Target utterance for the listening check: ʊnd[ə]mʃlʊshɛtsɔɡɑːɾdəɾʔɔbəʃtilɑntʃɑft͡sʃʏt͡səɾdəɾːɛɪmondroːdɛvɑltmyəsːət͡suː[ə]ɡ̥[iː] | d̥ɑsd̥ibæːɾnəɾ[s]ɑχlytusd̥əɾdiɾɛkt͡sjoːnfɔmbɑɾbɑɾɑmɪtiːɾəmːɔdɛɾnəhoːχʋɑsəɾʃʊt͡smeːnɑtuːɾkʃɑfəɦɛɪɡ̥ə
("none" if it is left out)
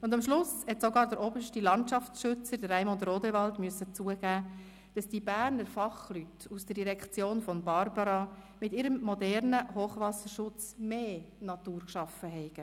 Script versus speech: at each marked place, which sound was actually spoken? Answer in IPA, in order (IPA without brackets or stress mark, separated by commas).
ɑ, ə, æː, f